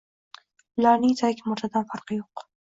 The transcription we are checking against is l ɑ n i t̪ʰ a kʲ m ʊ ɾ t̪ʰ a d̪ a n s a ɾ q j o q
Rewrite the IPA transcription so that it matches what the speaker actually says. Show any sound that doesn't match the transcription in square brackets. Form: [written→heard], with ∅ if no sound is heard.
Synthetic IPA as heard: l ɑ n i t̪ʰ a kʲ m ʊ ɾ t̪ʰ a d̪ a n [s→f] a ɾ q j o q